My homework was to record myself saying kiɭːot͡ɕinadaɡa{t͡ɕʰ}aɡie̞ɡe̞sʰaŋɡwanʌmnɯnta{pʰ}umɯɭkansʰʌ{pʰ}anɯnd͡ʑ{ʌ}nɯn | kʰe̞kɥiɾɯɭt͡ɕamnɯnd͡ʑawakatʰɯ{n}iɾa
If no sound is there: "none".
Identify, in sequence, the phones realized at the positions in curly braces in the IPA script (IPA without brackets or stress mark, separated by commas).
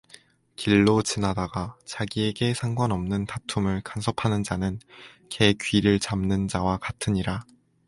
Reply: t͡ɕ, tʰ, pʰ, a, ɲ